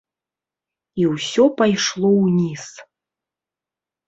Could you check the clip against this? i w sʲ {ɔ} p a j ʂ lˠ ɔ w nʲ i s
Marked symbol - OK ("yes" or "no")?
yes